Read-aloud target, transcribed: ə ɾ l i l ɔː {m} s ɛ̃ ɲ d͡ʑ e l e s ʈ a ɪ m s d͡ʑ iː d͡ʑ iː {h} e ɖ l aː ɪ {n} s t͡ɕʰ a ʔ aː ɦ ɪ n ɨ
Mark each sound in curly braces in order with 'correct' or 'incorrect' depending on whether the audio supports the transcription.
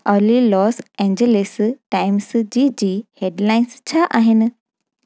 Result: incorrect, correct, correct

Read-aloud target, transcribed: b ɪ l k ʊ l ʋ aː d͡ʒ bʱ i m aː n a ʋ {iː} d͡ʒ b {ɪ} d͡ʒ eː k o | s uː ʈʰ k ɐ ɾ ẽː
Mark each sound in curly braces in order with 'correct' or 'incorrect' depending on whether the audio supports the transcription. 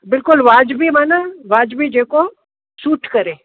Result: incorrect, incorrect

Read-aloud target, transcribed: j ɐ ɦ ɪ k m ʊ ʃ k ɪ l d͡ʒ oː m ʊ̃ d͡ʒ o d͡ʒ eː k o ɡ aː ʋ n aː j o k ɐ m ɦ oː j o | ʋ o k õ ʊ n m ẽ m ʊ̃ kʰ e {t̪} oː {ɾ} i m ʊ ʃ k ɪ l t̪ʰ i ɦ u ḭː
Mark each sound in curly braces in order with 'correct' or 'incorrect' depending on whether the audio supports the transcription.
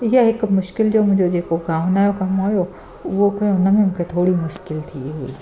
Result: incorrect, incorrect

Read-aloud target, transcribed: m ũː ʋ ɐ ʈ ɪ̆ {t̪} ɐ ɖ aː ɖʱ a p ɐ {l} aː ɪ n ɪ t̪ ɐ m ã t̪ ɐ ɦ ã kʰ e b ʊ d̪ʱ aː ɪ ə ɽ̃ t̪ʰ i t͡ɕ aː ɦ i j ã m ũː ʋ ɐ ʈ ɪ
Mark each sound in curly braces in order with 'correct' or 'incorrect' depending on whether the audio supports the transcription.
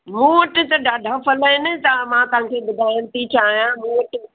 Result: correct, correct

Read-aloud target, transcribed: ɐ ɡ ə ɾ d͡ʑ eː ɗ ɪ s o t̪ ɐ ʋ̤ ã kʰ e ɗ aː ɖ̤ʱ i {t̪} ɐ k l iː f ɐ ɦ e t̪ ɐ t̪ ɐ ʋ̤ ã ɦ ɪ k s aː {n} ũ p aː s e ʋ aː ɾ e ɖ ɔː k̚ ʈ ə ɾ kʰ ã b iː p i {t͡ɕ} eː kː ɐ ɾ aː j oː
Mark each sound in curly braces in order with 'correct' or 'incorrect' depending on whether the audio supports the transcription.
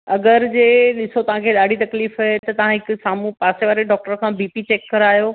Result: correct, incorrect, correct

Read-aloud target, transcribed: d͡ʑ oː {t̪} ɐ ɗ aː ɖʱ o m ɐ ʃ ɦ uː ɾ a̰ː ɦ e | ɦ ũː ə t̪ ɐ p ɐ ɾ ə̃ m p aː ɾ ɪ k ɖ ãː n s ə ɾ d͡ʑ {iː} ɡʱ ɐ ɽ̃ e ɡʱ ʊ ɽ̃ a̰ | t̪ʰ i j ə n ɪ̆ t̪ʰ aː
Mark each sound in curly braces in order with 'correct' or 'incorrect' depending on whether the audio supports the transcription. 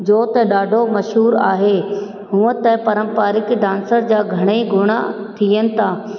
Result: correct, incorrect

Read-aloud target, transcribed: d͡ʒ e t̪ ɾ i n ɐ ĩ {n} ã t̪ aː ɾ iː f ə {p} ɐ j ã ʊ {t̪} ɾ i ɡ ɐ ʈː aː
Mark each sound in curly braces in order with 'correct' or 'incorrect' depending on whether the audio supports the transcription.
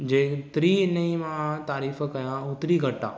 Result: incorrect, incorrect, correct

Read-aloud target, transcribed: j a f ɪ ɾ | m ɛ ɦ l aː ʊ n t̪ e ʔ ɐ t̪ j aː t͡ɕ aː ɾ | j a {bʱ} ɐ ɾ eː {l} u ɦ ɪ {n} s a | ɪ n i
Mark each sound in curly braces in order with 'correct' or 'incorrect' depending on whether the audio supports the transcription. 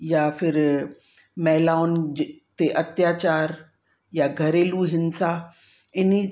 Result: incorrect, correct, correct

